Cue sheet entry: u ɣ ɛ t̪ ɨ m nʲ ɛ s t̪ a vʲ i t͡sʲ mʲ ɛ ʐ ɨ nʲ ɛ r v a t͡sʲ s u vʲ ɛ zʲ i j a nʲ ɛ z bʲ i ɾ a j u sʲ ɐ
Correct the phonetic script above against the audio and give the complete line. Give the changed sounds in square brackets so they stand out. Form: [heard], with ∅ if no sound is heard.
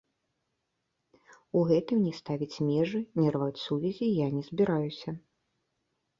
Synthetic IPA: u ɣ ɛ t̪ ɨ m nʲ ɛ s t̪ a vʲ i t͡sʲ mʲ ɛ ʐ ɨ nʲ ɛ r v a t͡sʲ s u vʲ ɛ zʲ i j a nʲ ɛ z bʲ i ɾ a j u sʲ ɐ